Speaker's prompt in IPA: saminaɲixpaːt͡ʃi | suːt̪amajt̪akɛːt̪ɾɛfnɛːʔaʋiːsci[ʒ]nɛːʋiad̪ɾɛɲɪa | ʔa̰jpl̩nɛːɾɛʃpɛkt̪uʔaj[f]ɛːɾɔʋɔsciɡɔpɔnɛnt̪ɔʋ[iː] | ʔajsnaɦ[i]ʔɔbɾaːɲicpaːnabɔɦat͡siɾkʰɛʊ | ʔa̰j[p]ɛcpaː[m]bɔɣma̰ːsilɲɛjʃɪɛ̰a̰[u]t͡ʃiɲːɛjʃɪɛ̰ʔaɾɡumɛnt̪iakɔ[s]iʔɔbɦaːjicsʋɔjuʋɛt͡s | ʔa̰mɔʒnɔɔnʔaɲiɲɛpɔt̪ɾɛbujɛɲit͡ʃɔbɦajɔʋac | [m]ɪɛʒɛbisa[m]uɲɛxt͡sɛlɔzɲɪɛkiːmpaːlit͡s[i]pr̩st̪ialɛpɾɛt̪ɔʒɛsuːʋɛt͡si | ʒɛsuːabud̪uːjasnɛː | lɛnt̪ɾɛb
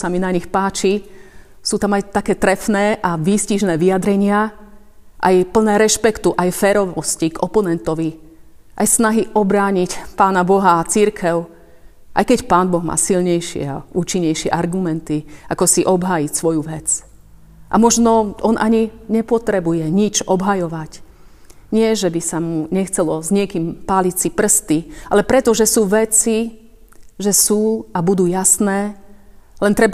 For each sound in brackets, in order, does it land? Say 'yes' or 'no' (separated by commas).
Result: yes, yes, no, yes, no, no, no, yes, no, yes, yes